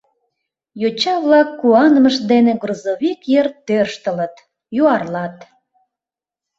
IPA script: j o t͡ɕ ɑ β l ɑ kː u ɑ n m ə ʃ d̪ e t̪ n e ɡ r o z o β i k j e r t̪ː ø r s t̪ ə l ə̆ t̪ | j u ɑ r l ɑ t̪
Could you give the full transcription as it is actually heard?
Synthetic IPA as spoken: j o t͡ɕ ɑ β l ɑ kː u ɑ n m ə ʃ d̪ e n e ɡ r o z o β i k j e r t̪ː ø r ʃ t̪ ə l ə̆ t̪ | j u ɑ r l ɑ t̪